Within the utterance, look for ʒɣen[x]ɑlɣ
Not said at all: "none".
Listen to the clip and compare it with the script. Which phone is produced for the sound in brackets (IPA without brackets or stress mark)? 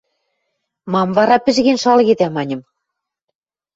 ʃ